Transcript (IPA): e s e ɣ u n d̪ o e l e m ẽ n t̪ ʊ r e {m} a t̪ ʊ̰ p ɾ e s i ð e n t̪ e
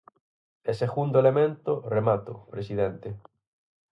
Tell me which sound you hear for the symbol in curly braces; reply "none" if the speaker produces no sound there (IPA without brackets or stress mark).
m